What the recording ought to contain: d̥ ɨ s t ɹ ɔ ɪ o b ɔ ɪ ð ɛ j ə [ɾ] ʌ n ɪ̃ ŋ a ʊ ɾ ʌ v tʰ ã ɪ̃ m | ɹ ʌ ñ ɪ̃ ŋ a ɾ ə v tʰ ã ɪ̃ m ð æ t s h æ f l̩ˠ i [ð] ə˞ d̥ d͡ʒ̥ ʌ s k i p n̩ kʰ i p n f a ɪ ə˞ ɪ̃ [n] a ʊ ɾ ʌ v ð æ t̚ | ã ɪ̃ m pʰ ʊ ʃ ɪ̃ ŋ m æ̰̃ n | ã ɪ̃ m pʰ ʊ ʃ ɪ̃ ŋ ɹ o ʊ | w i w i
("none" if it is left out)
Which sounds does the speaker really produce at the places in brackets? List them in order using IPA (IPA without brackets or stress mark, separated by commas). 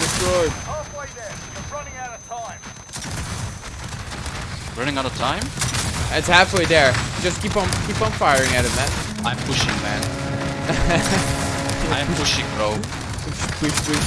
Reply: ɹ, ð, ŋ